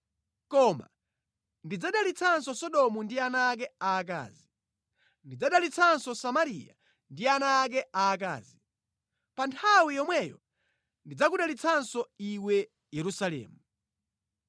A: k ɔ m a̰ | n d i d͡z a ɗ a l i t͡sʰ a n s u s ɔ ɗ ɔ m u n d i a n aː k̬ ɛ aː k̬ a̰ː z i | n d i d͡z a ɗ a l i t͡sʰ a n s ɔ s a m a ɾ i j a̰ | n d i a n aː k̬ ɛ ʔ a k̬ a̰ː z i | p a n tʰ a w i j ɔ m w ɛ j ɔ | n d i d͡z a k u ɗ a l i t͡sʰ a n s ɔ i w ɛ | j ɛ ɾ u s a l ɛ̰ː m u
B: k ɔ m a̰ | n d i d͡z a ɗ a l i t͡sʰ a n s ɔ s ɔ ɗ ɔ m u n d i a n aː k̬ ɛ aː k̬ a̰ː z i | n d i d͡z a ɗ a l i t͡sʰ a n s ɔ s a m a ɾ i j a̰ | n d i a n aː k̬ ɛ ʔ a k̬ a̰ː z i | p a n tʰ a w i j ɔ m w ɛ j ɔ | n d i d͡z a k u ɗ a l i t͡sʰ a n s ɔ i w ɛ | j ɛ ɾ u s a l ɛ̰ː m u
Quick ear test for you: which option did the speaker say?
B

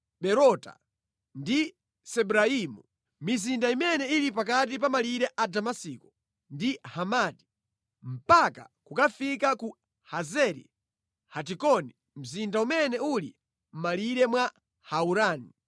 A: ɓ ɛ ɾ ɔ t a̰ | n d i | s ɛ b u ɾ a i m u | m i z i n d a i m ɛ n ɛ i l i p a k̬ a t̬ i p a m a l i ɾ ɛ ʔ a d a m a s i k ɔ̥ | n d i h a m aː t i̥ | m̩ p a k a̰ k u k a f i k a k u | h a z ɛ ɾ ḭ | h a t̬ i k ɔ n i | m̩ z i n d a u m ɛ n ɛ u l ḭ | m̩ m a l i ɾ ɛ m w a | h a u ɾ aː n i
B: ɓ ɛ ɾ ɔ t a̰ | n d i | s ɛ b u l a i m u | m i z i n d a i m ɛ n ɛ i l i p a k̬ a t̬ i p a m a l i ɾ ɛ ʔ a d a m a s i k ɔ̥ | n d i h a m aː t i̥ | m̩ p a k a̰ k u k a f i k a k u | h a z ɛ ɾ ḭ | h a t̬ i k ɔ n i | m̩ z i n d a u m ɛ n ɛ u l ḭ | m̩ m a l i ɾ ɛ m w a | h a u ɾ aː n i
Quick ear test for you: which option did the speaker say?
A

